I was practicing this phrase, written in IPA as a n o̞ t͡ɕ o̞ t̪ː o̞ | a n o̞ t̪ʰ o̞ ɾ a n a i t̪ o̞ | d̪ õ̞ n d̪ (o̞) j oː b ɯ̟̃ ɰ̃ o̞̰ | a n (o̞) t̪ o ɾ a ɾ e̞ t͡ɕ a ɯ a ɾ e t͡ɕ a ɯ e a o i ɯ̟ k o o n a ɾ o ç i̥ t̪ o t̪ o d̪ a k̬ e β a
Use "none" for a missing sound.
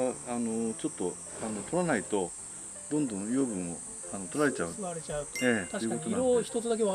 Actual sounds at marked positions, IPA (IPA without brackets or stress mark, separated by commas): õ̞, o̞